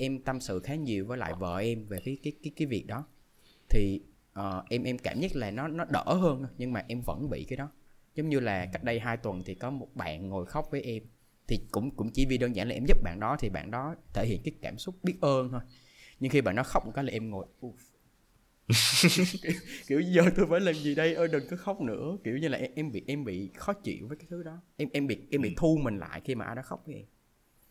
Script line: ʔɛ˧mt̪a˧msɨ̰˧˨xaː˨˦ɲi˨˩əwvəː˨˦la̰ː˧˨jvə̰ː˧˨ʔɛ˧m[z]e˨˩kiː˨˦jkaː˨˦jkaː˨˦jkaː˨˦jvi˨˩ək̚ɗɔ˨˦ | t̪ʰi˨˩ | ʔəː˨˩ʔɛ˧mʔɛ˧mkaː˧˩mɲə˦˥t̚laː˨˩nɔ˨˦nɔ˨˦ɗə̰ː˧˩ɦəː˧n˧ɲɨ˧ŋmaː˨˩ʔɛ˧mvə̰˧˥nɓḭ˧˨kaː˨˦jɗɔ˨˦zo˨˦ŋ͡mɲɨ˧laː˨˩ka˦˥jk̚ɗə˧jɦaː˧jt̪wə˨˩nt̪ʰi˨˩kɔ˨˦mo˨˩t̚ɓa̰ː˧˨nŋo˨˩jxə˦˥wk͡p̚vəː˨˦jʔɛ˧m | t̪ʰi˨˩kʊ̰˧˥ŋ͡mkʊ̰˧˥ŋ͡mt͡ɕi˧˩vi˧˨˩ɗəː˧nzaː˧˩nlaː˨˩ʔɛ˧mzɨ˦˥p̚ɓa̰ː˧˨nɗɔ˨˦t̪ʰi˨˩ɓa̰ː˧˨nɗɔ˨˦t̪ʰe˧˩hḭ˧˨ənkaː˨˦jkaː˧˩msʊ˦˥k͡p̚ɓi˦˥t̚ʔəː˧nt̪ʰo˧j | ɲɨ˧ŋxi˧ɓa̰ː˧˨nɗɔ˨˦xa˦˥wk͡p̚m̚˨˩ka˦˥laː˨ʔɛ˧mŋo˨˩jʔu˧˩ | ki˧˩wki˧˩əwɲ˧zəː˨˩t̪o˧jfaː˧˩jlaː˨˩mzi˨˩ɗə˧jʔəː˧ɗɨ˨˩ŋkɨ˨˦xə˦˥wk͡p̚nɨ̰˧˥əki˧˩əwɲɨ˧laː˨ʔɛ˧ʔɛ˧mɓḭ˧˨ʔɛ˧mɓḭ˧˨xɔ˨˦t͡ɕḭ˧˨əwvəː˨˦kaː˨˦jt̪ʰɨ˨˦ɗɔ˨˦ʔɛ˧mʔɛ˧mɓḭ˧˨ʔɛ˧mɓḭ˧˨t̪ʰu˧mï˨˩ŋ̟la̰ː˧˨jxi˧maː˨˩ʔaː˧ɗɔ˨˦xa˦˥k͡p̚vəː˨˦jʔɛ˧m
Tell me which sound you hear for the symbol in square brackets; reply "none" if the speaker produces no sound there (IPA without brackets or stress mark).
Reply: v